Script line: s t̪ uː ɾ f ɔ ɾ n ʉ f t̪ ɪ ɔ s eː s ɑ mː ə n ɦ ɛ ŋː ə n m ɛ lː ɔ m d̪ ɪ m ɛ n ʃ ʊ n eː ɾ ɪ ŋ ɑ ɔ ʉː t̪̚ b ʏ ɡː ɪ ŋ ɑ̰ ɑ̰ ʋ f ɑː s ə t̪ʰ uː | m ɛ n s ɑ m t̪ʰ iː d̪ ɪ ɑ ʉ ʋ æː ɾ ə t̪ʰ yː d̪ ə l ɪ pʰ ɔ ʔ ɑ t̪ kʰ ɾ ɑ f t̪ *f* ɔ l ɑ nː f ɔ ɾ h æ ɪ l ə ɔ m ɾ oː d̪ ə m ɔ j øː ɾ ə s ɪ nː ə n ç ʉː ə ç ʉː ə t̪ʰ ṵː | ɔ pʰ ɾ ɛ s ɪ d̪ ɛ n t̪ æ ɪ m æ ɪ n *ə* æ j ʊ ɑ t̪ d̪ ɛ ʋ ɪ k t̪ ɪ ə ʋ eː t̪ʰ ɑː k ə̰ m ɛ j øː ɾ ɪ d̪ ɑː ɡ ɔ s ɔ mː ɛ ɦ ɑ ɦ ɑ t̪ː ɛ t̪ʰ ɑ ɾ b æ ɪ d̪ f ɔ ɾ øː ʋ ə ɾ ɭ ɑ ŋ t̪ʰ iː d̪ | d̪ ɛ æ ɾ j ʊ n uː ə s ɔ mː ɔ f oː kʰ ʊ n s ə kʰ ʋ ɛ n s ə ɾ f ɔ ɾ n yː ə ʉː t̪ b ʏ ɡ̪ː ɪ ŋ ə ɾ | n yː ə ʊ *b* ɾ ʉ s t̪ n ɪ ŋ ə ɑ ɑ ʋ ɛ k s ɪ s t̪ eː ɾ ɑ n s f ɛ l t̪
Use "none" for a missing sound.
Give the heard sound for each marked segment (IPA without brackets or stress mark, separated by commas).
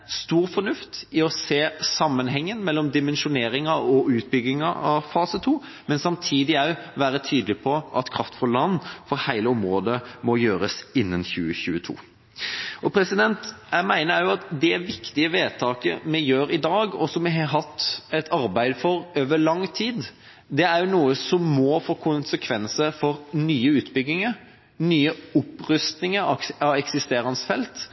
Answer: f, ə, p